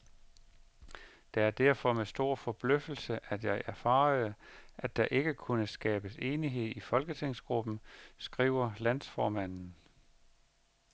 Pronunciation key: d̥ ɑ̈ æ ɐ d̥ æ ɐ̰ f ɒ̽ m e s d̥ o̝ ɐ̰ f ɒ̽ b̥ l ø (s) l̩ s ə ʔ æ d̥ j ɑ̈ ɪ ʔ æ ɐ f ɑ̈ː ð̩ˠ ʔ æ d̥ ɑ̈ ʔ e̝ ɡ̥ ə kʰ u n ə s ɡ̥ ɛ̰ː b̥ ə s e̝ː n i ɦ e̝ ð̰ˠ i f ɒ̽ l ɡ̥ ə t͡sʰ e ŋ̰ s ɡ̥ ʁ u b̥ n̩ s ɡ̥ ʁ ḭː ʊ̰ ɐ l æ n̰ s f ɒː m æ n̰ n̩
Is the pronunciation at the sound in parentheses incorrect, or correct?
incorrect